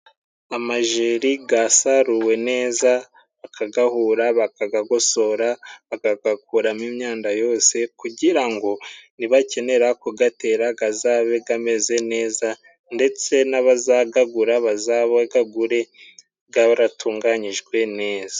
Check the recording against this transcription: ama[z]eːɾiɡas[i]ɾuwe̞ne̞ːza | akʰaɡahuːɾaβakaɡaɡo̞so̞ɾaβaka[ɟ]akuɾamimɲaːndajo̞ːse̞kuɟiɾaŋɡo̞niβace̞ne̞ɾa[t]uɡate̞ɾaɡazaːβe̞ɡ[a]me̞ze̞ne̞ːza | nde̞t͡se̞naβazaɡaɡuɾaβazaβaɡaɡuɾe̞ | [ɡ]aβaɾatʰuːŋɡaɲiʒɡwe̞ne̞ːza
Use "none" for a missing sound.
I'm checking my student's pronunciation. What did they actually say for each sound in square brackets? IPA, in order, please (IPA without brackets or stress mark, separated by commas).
ʒ, a, ɡ, k, a, ɡ